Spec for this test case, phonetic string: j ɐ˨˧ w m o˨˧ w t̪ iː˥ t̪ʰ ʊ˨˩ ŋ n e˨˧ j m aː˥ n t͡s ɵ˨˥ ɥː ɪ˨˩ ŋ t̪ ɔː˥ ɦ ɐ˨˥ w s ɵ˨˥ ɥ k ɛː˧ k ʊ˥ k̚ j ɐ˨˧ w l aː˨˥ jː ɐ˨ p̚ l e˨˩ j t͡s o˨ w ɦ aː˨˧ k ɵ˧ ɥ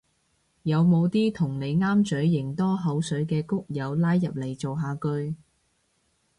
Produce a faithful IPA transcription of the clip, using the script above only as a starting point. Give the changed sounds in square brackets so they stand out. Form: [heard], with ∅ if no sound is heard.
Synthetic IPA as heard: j ɐ˨˧ w m o˨˧ w t̪ iː˥ t̪ʰ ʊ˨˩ ŋ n e˨˧ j [ŋ] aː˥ [m] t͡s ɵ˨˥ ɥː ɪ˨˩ ŋ t̪ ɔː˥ ɦ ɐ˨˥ w s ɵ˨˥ ɥ k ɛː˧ k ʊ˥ k̚ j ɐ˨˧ w l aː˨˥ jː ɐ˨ p̚ l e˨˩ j t͡s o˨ w ɦ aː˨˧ k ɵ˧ ɥ